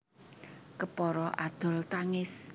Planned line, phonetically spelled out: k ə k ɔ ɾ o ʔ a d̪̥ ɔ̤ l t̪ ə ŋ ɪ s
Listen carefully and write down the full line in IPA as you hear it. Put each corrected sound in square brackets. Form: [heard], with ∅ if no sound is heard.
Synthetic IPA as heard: k ə [p] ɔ ɾ [ɔ] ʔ a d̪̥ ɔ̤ l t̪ [a] ŋ ɪ s